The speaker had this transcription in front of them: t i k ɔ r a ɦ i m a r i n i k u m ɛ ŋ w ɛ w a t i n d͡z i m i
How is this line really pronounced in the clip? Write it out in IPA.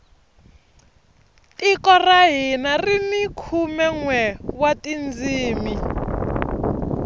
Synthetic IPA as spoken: t i k ɔ r a ɦ i n a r i n i kʰ u m ɛ ŋ w ɛ w a t i n d͡z iː m i